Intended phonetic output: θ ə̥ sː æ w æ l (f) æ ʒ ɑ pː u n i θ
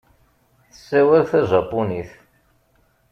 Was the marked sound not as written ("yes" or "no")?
yes